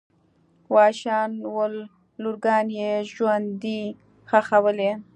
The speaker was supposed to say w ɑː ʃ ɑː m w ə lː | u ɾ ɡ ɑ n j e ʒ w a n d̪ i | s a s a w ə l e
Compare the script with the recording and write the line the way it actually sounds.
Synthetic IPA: w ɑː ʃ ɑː n w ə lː | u ɾ ɡ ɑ n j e ʒ w a n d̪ i | x a x a w ə l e